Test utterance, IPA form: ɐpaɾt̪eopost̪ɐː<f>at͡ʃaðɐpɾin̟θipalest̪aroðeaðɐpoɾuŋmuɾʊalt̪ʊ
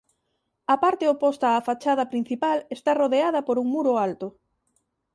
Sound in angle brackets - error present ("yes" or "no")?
no